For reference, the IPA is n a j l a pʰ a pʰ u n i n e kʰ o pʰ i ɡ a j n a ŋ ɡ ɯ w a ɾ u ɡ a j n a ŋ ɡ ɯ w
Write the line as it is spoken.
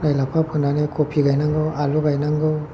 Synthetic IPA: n a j l a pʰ a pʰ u n a n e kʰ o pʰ i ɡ a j n a ŋ ɡ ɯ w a l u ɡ a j n a ŋ ɡ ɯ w